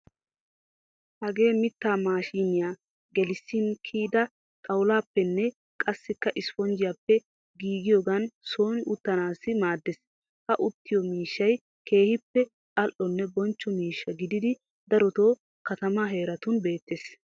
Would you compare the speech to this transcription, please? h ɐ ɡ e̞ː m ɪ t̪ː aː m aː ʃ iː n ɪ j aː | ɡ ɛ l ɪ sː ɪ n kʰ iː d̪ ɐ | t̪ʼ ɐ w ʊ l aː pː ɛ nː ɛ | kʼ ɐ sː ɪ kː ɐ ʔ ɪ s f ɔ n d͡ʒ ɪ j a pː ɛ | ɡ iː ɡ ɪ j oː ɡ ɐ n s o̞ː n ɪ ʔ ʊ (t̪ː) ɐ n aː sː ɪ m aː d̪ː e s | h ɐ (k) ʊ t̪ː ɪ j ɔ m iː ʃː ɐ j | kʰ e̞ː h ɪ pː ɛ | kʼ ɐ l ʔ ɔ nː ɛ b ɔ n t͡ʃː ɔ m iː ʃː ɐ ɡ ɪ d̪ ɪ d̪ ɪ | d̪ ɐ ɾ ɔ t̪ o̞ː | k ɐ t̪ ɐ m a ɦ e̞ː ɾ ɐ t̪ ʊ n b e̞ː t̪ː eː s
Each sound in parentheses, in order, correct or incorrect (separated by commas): correct, incorrect